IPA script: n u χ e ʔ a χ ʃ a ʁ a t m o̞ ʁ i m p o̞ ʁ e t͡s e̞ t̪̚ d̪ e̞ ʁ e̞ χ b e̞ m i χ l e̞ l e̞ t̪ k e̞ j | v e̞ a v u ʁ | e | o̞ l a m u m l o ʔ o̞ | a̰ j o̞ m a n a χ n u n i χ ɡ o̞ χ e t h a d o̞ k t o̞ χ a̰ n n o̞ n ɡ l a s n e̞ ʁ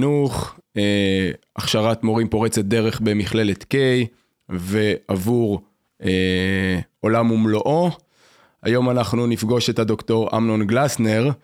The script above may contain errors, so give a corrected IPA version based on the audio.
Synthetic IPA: n u χ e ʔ a χ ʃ a ʁ a t m o̞ ʁ i m p o̞ ʁ e t͡s e̞ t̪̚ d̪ e̞ ʁ e̞ χ b e̞ m i χ l e̞ l e̞ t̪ k e̞ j | v e̞ a v u ʁ | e | o̞ l a m u m l o ʔ o̞ | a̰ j o̞ m a n a χ n u n i f ɡ o̞ ʃ e t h a d o̞ k t o̞ ʁ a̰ m n o̞ n ɡ l a s n e̞ ʁ